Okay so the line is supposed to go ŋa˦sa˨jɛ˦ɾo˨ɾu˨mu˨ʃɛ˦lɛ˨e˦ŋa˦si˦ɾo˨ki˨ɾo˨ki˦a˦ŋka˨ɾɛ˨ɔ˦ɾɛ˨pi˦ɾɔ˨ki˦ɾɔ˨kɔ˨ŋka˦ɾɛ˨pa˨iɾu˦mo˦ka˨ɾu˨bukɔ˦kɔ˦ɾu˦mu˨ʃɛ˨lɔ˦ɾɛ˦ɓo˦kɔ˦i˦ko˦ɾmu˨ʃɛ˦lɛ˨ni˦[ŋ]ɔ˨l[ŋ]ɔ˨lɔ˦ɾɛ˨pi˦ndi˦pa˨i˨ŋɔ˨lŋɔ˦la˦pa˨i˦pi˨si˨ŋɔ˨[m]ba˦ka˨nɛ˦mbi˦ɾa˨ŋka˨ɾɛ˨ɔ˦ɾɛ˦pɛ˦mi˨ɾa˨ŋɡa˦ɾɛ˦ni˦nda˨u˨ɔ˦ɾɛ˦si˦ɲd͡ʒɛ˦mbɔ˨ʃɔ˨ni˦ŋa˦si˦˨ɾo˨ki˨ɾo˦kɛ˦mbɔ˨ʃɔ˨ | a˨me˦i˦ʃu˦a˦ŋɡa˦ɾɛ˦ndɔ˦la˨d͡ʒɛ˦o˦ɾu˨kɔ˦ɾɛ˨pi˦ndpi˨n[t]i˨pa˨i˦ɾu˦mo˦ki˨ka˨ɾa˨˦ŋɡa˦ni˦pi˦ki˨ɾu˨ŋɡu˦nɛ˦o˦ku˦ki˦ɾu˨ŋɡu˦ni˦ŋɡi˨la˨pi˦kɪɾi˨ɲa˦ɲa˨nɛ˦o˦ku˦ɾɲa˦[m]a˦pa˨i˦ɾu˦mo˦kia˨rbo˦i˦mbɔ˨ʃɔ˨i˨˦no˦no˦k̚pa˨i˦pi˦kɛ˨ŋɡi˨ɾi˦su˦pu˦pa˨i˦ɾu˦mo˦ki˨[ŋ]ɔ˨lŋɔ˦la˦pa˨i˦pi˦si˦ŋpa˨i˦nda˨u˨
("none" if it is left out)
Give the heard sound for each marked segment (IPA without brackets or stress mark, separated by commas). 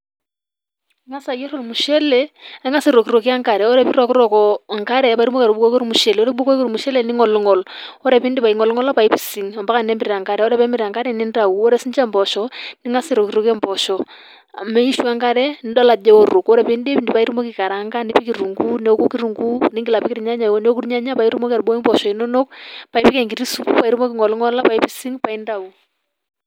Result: ŋ, ŋ, m, d, ɲ, ŋ